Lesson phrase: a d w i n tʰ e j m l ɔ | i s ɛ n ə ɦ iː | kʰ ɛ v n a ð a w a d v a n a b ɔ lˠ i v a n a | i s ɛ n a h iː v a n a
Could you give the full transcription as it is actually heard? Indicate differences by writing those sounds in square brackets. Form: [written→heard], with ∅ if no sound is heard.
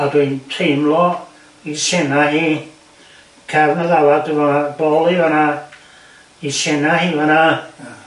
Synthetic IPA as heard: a d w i n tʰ e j m l ɔ | i s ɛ n [ə→a] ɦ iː | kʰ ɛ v n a ð a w a d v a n a b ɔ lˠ i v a n a | i s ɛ n a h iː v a n a